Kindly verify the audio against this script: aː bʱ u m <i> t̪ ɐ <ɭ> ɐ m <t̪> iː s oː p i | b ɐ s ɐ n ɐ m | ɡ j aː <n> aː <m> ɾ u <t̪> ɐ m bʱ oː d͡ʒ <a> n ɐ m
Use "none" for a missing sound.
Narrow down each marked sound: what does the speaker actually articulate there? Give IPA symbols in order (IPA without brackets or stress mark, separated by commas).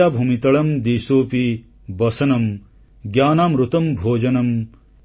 i, ɭ, d̪, n, m, t̪, ɐ